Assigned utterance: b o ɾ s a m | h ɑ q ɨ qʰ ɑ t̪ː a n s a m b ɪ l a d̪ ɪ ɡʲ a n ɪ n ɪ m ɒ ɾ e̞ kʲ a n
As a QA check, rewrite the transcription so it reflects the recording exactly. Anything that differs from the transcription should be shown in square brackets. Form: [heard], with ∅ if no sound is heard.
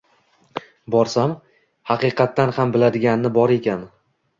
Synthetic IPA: b [ɒ] ɾ s a m | h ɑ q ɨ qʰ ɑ t̪ː a n [h] a m b ɪ l a d̪ ɪ ɡʲ a n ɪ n ɪ [b] ɒ ɾ e̞ kʲ a n